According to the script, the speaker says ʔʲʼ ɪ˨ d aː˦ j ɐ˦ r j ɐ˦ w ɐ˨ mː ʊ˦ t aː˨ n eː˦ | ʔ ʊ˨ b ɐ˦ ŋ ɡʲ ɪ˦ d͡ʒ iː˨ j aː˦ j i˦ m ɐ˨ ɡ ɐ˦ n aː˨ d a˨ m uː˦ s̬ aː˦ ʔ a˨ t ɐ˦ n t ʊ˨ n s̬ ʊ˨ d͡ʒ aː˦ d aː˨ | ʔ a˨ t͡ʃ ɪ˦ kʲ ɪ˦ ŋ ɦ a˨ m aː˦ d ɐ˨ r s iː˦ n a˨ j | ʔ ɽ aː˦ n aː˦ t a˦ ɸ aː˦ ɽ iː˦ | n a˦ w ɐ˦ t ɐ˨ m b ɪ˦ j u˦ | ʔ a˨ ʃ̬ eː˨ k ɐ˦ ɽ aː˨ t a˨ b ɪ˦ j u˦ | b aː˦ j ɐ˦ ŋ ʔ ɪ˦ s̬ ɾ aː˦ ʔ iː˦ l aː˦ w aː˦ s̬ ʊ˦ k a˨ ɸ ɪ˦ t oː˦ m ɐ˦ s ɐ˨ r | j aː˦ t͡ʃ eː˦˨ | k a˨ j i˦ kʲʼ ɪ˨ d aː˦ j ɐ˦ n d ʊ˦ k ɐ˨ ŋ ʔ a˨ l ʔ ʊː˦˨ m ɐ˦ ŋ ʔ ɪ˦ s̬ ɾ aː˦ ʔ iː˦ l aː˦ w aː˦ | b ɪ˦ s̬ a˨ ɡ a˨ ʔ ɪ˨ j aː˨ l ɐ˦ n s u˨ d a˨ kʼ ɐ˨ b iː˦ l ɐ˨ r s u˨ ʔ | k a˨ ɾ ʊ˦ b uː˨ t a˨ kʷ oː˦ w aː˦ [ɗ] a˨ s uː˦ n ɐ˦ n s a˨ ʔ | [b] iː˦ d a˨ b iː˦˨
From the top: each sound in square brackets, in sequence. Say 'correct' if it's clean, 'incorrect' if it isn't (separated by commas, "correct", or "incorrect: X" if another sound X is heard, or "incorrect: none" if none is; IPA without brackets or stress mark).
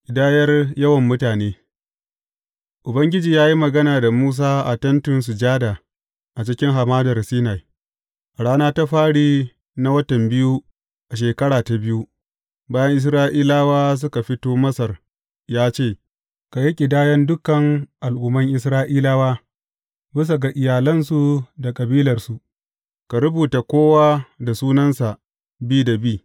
incorrect: d, correct